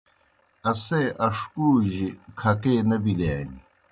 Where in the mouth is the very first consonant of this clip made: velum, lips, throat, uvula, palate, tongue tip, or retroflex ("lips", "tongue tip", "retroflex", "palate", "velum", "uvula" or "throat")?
tongue tip